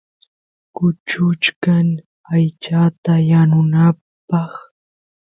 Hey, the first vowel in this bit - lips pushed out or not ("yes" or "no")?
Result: yes